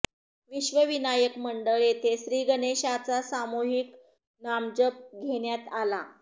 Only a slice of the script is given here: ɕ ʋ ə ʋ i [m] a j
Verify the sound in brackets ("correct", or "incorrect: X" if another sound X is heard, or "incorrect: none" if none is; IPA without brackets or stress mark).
incorrect: n